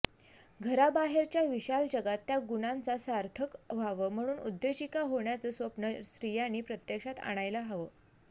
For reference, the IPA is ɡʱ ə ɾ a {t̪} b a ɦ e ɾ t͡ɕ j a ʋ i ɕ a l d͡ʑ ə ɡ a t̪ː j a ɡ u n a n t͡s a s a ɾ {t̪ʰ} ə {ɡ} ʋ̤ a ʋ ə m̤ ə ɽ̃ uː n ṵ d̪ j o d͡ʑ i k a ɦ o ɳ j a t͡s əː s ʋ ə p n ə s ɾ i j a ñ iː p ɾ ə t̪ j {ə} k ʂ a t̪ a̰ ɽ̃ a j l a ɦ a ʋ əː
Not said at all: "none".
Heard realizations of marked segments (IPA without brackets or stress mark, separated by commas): none, t̪ʰ, k, ə